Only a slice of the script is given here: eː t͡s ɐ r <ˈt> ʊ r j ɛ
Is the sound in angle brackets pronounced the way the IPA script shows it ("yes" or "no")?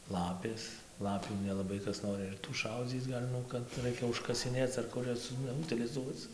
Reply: no